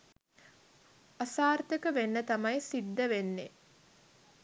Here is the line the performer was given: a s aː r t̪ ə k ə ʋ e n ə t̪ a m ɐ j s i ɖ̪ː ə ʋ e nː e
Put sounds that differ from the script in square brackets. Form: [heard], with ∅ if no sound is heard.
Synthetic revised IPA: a s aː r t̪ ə k ə ʋ e [nː] ə t̪ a m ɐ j s i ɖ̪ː ə ʋ e nː e